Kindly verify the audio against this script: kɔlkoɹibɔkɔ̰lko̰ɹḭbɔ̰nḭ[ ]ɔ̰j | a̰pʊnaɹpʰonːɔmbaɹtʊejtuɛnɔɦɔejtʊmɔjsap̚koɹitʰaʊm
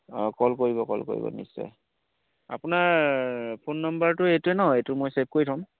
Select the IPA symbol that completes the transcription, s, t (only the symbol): s